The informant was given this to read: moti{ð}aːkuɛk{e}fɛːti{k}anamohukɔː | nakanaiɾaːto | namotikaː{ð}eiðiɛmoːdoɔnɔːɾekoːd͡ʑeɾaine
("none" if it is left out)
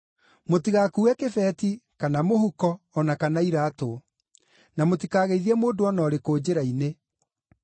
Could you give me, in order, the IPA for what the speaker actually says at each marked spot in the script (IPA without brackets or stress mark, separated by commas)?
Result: ɣ, e, k, ɣ